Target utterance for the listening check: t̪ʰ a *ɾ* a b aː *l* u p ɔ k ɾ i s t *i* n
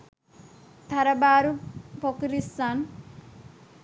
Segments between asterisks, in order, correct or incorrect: correct, incorrect, incorrect

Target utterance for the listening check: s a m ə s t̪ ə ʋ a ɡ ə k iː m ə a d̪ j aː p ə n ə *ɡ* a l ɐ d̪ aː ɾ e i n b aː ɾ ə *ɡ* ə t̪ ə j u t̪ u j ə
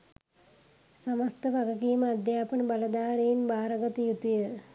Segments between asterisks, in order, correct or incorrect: incorrect, correct

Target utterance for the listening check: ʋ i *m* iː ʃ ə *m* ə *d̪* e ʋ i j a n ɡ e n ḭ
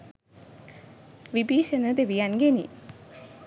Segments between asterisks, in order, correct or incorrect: incorrect, incorrect, correct

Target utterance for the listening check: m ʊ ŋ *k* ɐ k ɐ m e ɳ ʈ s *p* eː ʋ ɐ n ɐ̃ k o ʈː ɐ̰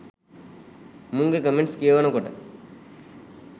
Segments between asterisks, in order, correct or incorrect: incorrect, incorrect

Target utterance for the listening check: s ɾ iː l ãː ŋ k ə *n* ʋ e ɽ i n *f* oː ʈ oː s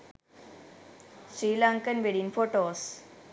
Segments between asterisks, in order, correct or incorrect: correct, correct

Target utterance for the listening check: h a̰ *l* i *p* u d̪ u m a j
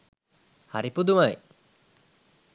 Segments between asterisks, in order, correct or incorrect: incorrect, correct

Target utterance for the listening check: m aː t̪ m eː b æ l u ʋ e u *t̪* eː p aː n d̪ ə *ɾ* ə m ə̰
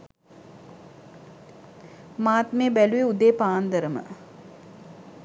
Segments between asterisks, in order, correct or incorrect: incorrect, correct

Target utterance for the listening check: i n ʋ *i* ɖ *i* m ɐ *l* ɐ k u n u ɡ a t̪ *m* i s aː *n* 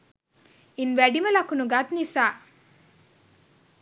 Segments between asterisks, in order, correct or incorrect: incorrect, correct, correct, incorrect, incorrect

